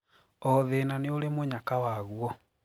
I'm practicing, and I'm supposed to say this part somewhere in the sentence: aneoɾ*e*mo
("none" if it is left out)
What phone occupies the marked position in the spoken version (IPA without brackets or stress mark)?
e